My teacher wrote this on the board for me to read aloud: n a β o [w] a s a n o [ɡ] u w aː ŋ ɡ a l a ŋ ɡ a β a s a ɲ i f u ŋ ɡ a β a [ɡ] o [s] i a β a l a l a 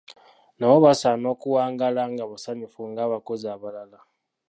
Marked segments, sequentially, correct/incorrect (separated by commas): incorrect, incorrect, incorrect, incorrect